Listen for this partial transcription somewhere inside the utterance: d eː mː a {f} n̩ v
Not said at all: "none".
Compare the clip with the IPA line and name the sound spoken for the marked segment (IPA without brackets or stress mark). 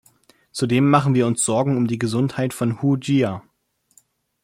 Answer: χ